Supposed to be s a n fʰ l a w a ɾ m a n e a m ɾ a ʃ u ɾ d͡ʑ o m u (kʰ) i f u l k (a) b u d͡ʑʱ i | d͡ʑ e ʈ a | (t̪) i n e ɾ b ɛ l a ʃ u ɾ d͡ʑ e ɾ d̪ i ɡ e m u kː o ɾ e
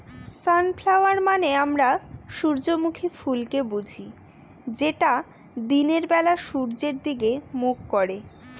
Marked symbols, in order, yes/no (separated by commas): yes, no, no